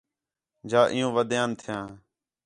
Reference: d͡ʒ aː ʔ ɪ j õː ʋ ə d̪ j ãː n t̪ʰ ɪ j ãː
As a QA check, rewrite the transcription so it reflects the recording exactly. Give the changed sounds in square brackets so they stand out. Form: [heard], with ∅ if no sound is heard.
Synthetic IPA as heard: d͡ʒ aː ʔ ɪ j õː ʋ ə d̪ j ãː n t̪ʰ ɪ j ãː